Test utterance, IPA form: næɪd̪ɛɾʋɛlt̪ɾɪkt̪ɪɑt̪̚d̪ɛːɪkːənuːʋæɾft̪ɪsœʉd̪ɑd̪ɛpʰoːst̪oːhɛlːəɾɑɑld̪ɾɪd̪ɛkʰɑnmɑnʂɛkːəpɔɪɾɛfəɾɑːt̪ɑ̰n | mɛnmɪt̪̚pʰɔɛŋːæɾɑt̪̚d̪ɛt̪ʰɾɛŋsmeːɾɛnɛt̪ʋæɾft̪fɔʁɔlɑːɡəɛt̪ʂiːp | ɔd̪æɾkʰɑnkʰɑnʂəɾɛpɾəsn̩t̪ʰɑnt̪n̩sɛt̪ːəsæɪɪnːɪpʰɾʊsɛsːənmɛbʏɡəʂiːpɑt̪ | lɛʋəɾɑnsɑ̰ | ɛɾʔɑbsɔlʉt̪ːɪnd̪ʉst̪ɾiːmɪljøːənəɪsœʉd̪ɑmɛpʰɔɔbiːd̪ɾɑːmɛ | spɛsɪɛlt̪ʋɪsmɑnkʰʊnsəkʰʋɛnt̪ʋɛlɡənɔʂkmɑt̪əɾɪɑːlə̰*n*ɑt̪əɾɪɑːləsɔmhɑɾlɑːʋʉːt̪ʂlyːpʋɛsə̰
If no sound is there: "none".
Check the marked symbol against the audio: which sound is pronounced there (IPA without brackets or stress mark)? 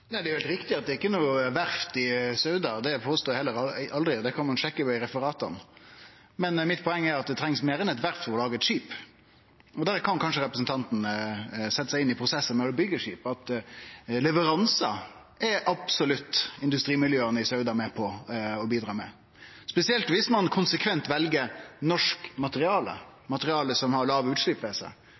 m